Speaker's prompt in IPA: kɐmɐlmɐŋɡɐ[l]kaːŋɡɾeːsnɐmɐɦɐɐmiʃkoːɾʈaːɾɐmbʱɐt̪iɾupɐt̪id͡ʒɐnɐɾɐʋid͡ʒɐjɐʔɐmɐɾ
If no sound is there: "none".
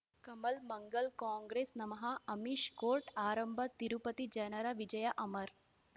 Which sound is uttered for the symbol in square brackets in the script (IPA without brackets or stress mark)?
l